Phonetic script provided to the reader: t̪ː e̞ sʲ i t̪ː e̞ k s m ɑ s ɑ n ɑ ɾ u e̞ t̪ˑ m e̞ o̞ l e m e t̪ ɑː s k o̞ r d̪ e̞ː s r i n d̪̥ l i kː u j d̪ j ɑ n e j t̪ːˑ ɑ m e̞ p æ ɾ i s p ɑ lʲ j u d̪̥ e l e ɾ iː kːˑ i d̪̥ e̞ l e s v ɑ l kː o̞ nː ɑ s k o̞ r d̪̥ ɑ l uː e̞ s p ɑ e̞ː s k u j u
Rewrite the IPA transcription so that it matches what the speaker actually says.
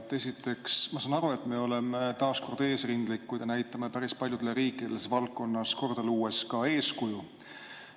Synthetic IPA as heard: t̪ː e̞ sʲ i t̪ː e̞ k s m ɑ s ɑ n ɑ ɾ u e̞ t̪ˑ m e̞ o̞ l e m e t̪ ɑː s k o̞ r d̪ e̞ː s r i n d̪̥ l i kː u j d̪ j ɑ n æ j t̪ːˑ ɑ m e̞ p æ ɾ i s p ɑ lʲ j u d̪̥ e l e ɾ iː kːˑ i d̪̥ e̞ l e s v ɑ l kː o̞ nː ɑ s k o̞ r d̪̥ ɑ l uː e̞ s k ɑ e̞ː s k u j u